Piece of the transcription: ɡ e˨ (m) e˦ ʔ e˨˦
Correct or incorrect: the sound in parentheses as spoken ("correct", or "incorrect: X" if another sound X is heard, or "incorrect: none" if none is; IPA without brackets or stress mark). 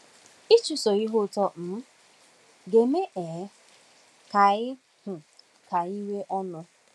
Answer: correct